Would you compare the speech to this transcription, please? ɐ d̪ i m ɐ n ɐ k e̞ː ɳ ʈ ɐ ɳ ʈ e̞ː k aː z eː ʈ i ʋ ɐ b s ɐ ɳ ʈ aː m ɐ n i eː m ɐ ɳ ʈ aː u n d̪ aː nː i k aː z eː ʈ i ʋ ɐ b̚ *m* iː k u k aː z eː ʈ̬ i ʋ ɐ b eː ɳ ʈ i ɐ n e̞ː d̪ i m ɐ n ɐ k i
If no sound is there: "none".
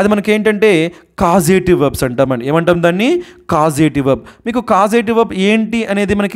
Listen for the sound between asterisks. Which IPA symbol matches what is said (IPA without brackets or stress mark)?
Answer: m